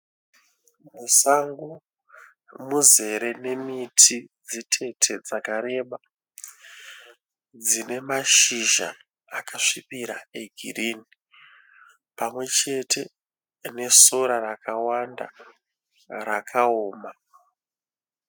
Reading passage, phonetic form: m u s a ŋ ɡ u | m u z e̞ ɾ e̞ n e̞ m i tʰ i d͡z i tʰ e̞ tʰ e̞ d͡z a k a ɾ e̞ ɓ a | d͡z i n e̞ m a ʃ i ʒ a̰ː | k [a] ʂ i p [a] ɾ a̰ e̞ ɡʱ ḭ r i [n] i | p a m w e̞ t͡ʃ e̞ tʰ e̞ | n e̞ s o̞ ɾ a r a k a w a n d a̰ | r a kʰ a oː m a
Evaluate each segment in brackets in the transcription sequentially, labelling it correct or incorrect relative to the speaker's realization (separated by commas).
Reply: correct, incorrect, correct